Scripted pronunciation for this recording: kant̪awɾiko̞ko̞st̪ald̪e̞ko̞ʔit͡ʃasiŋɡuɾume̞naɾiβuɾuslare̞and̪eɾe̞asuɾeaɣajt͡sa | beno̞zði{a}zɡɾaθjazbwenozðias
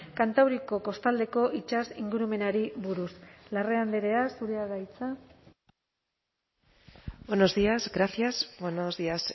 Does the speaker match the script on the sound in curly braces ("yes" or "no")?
yes